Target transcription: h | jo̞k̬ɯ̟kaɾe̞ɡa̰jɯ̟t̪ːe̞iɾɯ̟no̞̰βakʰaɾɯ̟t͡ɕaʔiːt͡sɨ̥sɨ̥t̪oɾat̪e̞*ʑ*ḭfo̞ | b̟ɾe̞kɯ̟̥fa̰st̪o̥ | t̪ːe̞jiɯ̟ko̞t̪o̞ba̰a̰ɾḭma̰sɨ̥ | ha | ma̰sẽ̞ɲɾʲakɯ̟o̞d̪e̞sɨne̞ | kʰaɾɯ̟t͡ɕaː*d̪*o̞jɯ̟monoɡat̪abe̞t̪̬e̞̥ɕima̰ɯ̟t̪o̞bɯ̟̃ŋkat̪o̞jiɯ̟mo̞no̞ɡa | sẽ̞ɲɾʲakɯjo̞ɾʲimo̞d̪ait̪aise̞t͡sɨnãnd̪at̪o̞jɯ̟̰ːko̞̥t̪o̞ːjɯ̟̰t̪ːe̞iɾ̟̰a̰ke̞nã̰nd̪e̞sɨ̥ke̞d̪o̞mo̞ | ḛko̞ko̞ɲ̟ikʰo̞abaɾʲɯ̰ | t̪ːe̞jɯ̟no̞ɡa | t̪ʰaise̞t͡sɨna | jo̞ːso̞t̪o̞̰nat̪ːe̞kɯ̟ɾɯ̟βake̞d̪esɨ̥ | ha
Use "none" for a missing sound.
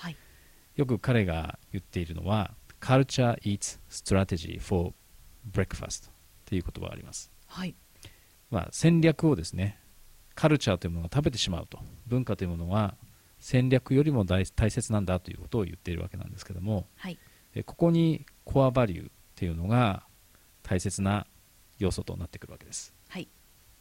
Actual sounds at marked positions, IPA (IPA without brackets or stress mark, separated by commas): ʑ, t̪